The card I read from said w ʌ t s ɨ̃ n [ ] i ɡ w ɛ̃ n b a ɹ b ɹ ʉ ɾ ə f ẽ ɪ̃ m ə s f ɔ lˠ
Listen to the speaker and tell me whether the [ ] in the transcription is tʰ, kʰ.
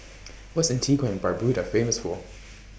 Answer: tʰ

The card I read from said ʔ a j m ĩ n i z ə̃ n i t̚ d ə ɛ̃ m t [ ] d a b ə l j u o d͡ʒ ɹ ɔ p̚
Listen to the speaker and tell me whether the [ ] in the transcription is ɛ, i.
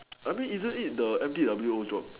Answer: i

